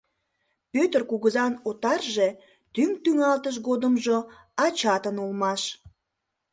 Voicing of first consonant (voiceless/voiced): voiceless